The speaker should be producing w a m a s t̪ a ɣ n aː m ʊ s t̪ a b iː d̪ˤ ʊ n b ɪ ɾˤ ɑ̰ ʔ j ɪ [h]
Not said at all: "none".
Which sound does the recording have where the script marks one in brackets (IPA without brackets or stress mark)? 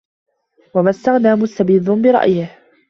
h